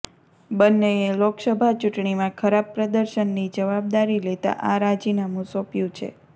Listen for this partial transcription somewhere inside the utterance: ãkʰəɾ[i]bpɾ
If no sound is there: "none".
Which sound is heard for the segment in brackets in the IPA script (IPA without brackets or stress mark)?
a